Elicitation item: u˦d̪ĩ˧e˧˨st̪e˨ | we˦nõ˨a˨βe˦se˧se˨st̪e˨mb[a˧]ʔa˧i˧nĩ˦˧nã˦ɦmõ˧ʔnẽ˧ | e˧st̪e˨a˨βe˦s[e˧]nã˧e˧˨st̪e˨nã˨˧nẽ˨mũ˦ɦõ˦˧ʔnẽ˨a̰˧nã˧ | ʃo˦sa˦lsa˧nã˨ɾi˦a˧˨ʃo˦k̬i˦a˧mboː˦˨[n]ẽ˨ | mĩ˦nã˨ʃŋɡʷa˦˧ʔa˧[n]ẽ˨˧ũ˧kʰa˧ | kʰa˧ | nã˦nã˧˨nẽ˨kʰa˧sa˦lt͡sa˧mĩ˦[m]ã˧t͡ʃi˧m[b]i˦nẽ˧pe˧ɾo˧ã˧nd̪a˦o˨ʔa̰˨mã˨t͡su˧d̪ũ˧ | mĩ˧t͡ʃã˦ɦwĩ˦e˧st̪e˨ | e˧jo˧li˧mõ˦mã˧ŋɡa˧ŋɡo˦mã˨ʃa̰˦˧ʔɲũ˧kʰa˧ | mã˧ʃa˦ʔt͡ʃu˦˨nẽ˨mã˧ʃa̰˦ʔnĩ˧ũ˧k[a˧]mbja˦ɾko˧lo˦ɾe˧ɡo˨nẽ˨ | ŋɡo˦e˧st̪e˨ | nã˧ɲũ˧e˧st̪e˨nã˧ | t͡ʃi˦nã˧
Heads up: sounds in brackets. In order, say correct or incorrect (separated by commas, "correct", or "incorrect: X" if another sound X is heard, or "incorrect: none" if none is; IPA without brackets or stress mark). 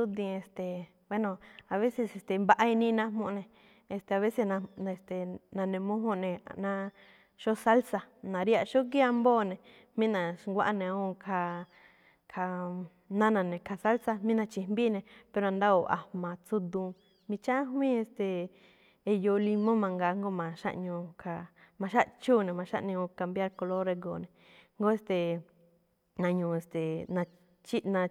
correct, correct, correct, correct, incorrect: n, correct, correct